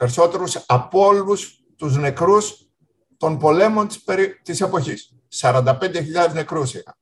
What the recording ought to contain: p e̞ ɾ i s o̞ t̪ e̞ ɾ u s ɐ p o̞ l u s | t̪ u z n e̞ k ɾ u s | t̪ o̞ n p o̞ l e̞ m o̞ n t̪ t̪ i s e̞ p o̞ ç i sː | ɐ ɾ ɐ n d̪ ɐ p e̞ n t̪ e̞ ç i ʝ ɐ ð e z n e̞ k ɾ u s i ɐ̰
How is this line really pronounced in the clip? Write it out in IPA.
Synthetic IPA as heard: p e̞ ɾ i s o̞ t̪ e̞ ɾ u s ɐ p o̞ l u s | t̪ u z n e̞ k ɾ u s | t̪ o̞ n p o̞ l e̞ m o̞ n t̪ t̪ i s e̞ p o̞ ç i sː | ɐ ɾ ɐ n d̪ ɐ p e̞ n d̪ e̞ ç i ʎ ɐ ð e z n e̞ k ɾ u s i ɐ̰